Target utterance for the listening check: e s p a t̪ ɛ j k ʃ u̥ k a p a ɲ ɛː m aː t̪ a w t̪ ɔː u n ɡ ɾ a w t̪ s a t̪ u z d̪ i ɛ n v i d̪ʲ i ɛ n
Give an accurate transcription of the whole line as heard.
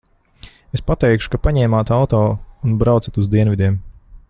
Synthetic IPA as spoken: e s p a t̪ ɛ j k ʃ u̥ k a p a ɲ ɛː m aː t̪ a w t̪ ɔː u n b ɾ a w t̪ s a t̪ u z d̪ i ɛ n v i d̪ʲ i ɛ m